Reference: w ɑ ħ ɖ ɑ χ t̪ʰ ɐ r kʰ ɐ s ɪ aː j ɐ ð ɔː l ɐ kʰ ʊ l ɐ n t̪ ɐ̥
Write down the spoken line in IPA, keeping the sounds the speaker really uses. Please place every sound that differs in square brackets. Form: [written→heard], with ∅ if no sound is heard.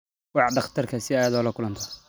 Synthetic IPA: w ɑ ħ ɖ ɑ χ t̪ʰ ɐ r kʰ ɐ s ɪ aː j ɐ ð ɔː l ɐ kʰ ʊ l ɐ n [t̪→t̪ʰ] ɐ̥